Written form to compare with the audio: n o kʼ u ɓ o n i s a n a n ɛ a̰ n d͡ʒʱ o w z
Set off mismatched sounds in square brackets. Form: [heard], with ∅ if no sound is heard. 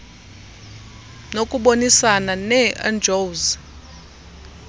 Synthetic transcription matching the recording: n o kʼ u ɓ o n i s a n a n ɛ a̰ n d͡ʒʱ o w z